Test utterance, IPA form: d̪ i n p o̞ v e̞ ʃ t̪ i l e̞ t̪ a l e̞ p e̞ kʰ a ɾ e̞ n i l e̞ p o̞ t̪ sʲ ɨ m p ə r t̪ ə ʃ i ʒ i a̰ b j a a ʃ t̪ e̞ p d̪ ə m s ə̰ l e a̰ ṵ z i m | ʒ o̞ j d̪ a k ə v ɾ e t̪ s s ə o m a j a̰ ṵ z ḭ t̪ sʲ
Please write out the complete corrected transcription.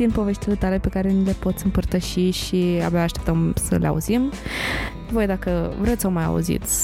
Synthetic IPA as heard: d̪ i n p o̞ v e̞ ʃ t̪ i l e̞ t̪ a l e̞ p e̞ k a ɾ e̞ n i l e̞ p o̞ t̪ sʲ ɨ m p ə r t̪ ə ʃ i ʃ i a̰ b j a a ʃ t̪ e̞ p t̪ ə m s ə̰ l e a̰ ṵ z i m | v o̞ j d̪ a k ə v ɾ e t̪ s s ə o m a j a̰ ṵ z ḭ t̪ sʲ